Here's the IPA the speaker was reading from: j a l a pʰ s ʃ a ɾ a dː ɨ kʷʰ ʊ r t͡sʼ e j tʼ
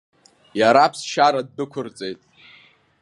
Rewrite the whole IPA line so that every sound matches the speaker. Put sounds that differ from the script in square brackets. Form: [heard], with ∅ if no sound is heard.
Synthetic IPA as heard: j a [ɾ] a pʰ s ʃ a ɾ a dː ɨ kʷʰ ʊ r t͡sʼ e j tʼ